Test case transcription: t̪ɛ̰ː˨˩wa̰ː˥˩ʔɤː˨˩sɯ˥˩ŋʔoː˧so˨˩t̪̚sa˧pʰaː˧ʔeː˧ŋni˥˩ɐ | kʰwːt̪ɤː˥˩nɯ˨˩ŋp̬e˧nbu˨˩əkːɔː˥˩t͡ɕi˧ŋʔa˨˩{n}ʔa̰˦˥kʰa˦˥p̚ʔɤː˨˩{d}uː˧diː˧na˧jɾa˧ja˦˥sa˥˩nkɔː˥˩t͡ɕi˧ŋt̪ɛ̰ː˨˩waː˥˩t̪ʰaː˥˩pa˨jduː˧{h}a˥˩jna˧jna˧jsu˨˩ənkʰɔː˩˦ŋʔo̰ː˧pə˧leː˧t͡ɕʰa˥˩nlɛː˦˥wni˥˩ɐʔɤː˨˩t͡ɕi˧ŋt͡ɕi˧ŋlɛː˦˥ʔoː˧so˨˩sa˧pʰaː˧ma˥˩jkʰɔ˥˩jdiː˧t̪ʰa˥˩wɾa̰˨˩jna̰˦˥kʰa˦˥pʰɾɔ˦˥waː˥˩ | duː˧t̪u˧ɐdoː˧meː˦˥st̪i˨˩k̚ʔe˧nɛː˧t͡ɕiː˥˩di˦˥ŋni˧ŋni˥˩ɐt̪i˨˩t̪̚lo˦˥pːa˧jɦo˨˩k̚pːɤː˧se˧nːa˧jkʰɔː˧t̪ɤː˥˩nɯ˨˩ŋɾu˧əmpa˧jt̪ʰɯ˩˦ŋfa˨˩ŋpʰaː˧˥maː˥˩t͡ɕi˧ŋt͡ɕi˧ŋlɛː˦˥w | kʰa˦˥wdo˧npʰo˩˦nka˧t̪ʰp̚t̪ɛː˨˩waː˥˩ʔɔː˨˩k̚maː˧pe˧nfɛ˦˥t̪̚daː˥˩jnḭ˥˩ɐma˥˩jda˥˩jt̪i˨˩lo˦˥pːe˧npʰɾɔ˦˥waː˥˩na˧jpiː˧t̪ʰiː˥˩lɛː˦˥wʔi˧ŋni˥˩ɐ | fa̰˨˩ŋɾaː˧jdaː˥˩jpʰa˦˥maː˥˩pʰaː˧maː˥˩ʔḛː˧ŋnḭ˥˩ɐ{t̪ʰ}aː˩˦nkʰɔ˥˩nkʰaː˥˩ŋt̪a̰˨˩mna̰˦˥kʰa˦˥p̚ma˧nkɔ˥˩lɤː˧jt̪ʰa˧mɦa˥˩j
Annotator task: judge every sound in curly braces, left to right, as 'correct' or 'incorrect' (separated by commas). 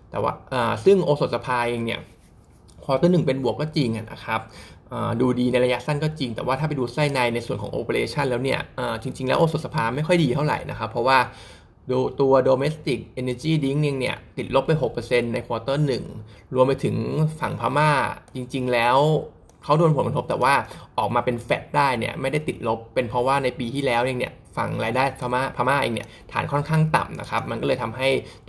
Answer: correct, correct, incorrect, correct